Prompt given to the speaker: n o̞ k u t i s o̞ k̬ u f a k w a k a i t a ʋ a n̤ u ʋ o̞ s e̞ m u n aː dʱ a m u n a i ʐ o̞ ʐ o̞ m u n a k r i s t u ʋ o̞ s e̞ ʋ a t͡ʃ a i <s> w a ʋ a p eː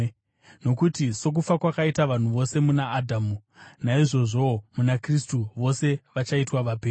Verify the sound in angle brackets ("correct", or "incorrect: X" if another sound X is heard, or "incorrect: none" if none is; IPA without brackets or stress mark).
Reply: incorrect: t